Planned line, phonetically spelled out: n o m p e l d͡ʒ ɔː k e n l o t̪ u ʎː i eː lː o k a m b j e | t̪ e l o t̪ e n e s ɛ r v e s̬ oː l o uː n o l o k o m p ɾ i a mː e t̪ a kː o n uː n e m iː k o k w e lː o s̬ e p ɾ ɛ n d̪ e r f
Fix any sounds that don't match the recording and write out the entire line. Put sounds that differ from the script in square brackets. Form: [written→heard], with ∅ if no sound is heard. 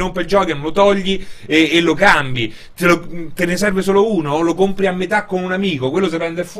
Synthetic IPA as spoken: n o m p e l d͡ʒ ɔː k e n l o t̪ [u→ɔ] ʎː i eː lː o k a m b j [e→i] | t̪ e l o t̪ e n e s ɛ r v e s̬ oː l o uː n o l o k o m p ɾ i a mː e t̪ a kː o n [uː→u] n [e→a] m iː k o k w e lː o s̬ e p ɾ ɛ n d̪ e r f